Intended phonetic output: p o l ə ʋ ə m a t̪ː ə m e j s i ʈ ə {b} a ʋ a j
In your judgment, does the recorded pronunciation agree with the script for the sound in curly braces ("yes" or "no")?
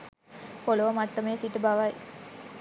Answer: yes